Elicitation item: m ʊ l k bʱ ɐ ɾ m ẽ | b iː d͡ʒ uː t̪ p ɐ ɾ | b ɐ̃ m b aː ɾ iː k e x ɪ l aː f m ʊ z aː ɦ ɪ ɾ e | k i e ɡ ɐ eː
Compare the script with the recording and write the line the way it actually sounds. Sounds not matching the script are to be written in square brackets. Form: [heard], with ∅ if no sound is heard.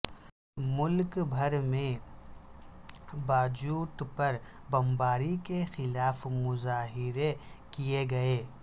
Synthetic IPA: m ʊ l k bʱ ɐ ɾ m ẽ | b [aː] d͡ʒ uː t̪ p ɐ ɾ | b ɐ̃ m b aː ɾ [i] k e x ɪ l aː f m ʊ z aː ɦ ɪ ɾ e | k i e ɡ ɐ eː